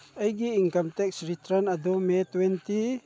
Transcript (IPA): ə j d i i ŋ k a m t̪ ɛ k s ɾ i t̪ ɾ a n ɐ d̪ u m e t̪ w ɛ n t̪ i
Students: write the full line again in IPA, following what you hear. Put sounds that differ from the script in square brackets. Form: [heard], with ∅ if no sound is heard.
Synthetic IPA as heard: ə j [ɡ] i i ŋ k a m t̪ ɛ k s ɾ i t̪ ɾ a n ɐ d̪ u m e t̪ w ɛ n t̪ i